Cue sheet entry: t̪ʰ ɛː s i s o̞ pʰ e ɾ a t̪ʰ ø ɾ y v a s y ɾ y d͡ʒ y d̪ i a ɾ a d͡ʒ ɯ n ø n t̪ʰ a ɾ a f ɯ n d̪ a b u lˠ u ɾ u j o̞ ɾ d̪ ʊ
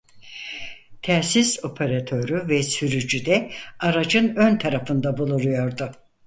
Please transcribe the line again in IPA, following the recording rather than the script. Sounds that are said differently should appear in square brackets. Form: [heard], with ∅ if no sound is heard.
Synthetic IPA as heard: t̪ʰ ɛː s i s o̞ pʰ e ɾ a t̪ʰ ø ɾ y v [ɛ] s y ɾ y d͡ʒ y d̪ [ɛ] a ɾ a d͡ʒ ɯ n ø n t̪ʰ a ɾ a f ɯ n d̪ a b u lˠ u ɾ u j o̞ ɾ d̪ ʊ